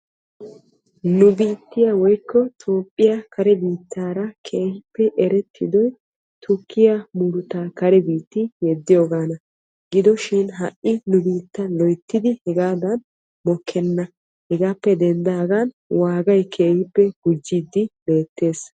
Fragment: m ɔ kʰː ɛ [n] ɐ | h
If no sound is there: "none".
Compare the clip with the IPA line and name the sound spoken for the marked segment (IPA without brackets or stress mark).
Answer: nː